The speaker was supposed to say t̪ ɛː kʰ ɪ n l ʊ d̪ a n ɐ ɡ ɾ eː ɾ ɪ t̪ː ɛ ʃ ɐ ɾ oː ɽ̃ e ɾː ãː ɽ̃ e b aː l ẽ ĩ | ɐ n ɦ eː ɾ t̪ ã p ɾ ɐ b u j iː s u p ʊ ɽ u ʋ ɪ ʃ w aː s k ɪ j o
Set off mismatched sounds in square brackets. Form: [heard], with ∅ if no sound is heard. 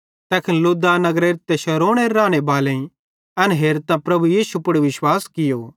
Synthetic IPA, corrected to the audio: t̪ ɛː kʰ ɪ n l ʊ d̪ a n ɐ ɡ ɾ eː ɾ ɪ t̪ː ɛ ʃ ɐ ɾ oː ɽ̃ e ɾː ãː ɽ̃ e b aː l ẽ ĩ | ɐ n ɦ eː ɾ t̪ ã p ɾ ɐ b u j iː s u p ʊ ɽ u ʋ ɪ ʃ w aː s k ɪ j o

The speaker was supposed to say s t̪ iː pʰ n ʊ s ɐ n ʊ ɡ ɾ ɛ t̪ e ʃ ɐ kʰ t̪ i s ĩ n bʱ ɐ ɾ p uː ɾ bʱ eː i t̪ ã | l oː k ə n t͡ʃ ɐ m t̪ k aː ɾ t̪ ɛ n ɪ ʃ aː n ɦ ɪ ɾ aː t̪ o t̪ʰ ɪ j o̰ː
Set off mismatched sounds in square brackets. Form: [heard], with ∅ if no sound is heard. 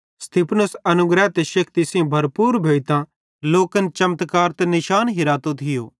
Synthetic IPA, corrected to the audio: s t̪ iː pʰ n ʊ s ɐ n ʊ ɡ ɾ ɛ t̪ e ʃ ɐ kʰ t̪ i s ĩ [∅] bʱ ɐ ɾ p uː ɾ bʱ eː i t̪ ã | l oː k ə n t͡ʃ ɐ m t̪ k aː ɾ t̪ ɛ n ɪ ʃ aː n ɦ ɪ ɾ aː t̪ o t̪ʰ ɪ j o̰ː

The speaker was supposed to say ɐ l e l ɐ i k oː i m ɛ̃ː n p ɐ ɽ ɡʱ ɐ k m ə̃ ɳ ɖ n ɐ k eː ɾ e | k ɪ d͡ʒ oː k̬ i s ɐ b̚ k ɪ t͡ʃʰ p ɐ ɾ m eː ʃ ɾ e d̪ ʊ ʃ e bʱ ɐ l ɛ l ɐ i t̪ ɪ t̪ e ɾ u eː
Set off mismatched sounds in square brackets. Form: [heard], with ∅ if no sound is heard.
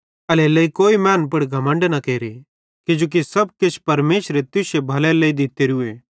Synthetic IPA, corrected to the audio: ɐ l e l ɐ i k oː i m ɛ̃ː n p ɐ ɽ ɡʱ ɐ [∅] m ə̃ ɳ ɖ n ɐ k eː ɾ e | k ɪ d͡ʒ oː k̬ i s ɐ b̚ k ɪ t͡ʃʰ p ɐ ɾ m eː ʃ ɾ e [t̪] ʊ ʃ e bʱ ɐ l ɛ l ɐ i [d̪] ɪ t̪ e ɾ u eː

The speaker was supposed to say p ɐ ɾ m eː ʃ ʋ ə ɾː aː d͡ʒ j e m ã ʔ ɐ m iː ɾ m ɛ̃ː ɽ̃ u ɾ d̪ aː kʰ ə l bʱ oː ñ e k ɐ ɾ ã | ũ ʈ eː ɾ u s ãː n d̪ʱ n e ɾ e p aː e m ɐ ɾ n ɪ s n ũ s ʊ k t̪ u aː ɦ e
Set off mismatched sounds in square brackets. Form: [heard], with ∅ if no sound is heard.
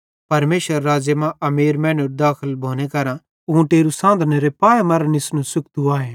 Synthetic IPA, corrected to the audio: p ɐ ɾ m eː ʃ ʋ ə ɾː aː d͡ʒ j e m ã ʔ ɐ m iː ɾ m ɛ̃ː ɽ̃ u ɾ d̪ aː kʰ ə l bʱ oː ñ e k ɐ ɾ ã | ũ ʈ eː ɾ u s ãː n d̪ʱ n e ɾ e p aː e m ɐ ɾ n ɪ s n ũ s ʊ k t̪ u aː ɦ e

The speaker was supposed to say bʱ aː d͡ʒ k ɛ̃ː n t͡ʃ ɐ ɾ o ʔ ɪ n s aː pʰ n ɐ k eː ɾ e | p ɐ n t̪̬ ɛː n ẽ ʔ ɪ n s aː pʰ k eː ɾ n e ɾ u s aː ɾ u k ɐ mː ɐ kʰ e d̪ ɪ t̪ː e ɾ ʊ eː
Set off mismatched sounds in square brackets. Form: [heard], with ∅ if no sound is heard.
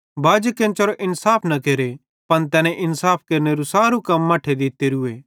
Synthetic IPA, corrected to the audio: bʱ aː d͡ʒ k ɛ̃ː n t͡ʃ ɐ ɾ o ʔ ɪ n s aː pʰ n ɐ k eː ɾ e | p ɐ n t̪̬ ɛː n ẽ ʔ ɪ n s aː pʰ k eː ɾ n e ɾ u s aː ɾ u k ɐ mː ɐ [ʈʰ] e d̪ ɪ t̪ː e ɾ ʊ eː

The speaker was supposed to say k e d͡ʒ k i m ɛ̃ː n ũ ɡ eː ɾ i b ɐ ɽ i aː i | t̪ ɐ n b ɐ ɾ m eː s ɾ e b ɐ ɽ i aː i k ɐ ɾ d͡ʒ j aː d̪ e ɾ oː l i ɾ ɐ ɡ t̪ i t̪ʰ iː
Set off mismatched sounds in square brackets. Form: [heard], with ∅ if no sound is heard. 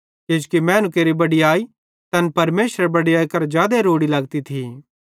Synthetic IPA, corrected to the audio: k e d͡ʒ k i m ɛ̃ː n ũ [k] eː ɾ i b ɐ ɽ i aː i | t̪ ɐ n [p] ɐ ɾ m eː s ɾ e b ɐ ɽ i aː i k ɐ ɾ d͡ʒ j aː d̪ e ɾ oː [ɽ] i [l] ɐ ɡ t̪ i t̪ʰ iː

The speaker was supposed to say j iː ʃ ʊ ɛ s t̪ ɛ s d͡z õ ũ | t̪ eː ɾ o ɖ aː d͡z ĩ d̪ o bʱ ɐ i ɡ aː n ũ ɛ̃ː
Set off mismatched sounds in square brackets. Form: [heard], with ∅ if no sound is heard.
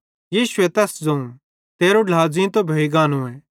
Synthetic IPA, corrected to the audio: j iː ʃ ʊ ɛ [∅] t̪ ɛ s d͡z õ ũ | t̪ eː ɾ o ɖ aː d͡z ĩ [t̪] o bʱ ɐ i ɡ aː n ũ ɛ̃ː

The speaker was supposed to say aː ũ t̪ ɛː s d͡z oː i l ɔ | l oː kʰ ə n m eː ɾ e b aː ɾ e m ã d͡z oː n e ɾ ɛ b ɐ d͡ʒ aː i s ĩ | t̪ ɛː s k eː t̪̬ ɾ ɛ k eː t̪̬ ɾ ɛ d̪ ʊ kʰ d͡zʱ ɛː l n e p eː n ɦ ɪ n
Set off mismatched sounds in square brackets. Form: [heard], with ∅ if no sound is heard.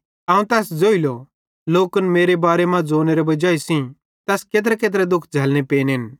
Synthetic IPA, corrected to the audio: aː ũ t̪ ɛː s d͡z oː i l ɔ | l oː [k] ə n m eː ɾ e b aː ɾ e m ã d͡z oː n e ɾ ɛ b ɐ d͡ʒ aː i s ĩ | t̪ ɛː s k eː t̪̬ ɾ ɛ k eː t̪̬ ɾ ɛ d̪ ʊ kʰ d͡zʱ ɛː l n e p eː n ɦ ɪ n

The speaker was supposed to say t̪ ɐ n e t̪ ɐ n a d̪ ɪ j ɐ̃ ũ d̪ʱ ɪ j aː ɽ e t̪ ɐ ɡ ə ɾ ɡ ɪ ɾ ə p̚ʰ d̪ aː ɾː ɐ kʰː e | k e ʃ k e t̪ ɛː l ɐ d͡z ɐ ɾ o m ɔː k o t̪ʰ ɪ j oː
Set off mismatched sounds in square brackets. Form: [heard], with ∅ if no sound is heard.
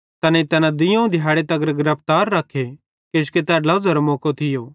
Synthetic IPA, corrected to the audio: t̪ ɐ n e t̪ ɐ n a d̪ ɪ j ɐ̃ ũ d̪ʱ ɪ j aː ɽ e t̪ ɐ ɡ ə ɾ ɡ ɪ ɾ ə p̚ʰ [t̪] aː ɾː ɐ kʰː e | k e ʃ k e t̪ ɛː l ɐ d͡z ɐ ɾ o m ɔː k o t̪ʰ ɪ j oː

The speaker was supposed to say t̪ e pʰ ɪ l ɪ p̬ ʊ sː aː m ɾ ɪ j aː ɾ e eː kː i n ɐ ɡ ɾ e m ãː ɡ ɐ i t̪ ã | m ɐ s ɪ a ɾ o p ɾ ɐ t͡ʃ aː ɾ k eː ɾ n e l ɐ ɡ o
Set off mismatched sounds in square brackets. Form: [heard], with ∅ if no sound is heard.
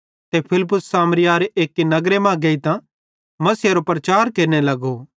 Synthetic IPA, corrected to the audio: t̪ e pʰ ɪ l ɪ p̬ ʊ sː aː m ɾ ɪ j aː ɾ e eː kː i n ɐ ɡ ɾ e m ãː ɡ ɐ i t̪ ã | m ɐ s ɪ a ɾ o p ɾ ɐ t͡ʃ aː ɾ k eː ɾ n e l ɐ ɡ o

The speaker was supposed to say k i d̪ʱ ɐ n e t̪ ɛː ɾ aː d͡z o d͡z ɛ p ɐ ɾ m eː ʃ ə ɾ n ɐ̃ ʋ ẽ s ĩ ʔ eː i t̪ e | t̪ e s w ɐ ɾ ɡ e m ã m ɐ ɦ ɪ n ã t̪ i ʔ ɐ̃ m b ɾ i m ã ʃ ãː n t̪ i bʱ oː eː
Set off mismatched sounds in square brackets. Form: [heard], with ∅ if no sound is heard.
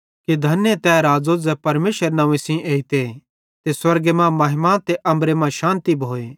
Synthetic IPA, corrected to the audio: k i d̪ʱ ɐ n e t̪ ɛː ɾ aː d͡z o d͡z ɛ p ɐ ɾ m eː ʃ ə ɾ n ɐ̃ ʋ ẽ s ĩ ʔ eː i t̪ e | t̪ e s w ɐ ɾ ɡ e m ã m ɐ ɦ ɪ [m] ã t̪ [e] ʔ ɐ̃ m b ɾ [e] m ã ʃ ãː n t̪ i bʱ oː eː

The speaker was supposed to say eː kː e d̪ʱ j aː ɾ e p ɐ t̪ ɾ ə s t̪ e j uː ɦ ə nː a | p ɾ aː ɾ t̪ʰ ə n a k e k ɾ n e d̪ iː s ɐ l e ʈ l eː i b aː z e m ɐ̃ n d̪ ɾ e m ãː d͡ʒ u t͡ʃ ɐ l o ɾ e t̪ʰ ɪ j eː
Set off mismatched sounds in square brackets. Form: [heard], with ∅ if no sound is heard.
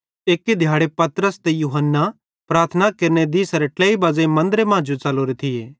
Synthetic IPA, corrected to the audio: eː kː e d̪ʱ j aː [ɽ] e p ɐ t̪ ɾ ə s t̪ e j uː ɦ ə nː a | p ɾ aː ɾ t̪ʰ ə n a k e [∅] ɾ n e d̪ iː s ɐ [ɾ] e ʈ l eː i b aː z e m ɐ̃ n d̪ ɾ e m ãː d͡ʒ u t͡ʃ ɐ l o ɾ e t̪ʰ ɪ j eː

